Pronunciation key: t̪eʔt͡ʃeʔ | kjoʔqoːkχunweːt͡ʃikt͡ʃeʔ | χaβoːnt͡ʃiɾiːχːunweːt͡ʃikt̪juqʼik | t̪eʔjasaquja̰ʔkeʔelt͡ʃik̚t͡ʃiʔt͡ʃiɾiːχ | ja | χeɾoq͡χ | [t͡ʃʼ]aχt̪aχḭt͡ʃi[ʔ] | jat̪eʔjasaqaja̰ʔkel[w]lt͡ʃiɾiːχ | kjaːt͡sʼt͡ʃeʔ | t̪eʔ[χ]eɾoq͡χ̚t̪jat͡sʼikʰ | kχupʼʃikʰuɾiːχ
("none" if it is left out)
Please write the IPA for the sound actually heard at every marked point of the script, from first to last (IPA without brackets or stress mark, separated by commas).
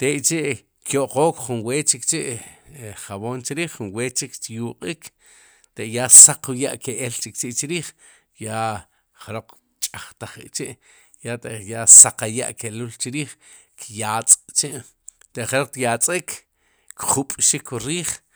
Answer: t͡ʃʼ, ʔ, u, χ